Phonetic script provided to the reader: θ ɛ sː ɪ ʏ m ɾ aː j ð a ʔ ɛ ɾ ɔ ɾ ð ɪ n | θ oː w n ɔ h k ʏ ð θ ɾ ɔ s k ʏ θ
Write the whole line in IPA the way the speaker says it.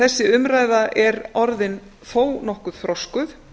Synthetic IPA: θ ɛ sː ɪ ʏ m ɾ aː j ð a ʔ ɛ ɾ ɔ ɾ ð ɪ n | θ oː w n ɔ h k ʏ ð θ ɾ ɔ s k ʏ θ